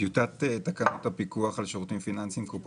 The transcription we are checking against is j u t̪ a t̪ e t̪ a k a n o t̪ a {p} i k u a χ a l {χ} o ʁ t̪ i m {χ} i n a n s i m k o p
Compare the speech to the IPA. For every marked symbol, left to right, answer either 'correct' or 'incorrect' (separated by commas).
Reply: correct, incorrect, incorrect